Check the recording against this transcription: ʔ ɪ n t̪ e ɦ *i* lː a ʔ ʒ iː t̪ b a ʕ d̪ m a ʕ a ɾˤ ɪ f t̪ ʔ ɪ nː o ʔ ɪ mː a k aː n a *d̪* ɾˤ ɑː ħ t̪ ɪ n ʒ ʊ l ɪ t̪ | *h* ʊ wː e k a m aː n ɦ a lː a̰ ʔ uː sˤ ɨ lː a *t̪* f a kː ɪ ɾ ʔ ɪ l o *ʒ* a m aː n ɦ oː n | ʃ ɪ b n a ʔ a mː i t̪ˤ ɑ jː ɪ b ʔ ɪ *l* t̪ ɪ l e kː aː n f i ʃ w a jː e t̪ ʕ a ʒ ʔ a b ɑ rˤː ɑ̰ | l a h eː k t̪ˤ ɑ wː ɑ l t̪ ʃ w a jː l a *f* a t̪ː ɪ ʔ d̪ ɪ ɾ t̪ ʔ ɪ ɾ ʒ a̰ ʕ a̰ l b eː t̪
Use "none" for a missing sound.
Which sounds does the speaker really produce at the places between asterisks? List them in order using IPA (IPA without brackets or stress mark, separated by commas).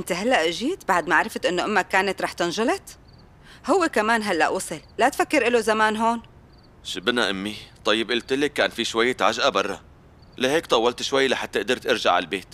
a, t̪, h, t̪, z, l, ħ